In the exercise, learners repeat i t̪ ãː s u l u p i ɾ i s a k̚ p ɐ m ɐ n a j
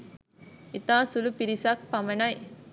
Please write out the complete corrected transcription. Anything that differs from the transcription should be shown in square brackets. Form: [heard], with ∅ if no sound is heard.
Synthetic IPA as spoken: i t̪ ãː s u l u p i ɾ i s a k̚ p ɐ m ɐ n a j